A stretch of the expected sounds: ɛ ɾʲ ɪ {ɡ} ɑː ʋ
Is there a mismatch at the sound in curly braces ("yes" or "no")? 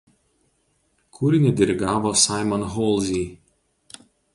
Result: no